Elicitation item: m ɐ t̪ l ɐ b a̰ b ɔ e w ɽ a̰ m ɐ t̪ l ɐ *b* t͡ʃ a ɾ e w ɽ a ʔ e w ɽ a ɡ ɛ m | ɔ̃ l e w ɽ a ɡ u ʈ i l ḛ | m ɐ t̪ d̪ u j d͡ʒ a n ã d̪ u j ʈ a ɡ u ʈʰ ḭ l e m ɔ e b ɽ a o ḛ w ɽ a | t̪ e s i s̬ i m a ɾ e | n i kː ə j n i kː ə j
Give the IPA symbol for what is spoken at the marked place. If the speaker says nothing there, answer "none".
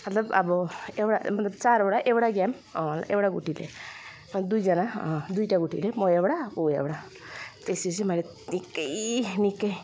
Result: b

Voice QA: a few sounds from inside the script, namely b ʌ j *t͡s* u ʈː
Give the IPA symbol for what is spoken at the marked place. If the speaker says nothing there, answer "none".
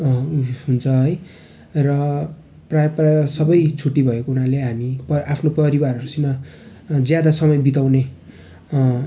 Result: t͡sʰ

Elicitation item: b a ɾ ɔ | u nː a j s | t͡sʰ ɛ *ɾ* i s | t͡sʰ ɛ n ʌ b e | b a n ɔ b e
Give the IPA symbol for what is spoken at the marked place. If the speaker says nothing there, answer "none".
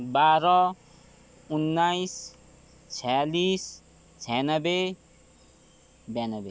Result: l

